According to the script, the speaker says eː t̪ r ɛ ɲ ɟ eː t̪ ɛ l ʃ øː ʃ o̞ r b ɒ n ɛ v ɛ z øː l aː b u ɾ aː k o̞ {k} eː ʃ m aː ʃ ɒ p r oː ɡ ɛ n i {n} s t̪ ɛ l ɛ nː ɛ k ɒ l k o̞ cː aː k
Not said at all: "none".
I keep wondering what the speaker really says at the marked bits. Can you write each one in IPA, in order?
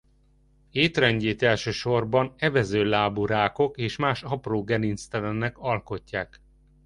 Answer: k, n

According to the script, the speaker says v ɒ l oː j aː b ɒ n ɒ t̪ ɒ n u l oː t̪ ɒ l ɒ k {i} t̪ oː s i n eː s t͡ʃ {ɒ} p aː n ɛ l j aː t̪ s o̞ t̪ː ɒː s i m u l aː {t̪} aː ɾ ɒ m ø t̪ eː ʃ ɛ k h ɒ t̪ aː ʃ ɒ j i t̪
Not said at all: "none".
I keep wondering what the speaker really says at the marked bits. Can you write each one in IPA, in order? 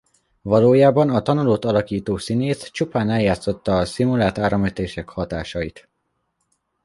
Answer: iː, u, t̪

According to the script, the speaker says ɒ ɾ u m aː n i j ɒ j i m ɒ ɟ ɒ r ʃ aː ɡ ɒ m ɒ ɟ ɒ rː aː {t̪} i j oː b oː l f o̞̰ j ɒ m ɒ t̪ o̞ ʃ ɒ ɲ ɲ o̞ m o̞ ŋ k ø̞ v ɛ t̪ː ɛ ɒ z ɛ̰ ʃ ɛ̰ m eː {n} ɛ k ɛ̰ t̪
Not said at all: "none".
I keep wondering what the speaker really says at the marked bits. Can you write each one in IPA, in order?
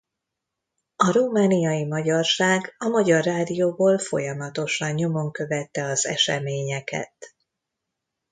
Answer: d̪, ɲ

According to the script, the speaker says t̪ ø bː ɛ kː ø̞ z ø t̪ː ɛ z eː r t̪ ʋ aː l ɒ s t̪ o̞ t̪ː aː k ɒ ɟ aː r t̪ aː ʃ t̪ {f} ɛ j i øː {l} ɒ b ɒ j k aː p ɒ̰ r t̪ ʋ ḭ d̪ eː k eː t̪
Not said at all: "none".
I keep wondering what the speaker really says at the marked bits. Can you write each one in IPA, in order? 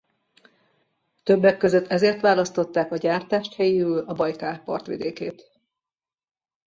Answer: h, l

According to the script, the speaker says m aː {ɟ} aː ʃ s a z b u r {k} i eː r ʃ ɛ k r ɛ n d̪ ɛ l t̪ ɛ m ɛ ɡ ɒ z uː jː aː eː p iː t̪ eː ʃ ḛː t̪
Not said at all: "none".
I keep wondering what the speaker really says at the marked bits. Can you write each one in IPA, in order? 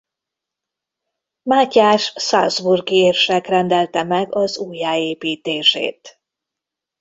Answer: c, ɡ

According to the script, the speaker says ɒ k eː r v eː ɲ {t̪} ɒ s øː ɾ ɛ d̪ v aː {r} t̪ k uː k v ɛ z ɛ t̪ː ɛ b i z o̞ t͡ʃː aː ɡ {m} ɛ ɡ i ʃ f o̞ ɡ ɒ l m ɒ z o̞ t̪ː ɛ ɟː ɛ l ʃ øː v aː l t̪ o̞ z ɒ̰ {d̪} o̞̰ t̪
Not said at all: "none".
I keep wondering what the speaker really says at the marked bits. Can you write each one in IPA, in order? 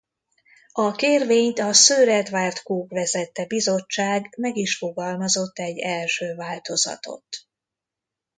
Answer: t̪, r, m, t̪

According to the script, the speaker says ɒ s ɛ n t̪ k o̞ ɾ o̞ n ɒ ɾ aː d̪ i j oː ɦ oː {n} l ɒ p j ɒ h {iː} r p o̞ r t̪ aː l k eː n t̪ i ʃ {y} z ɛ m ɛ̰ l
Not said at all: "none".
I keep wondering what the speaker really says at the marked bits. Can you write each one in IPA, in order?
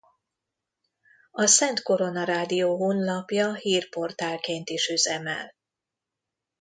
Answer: n, iː, y

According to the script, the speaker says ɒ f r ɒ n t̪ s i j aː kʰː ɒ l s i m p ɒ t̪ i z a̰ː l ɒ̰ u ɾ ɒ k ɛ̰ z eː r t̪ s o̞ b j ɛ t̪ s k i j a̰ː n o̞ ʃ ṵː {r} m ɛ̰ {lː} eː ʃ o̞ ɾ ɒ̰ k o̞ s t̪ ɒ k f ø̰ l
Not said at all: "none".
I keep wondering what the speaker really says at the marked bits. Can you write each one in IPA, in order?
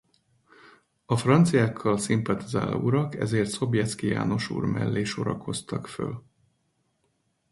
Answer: r, lː

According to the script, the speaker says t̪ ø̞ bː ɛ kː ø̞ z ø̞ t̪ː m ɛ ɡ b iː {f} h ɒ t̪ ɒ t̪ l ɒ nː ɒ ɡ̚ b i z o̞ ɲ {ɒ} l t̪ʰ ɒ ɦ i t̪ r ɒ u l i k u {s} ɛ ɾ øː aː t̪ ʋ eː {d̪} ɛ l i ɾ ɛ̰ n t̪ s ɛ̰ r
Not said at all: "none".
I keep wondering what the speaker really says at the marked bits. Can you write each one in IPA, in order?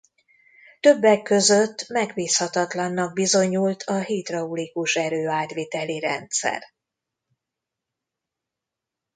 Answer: s, u, ʃ, t̪

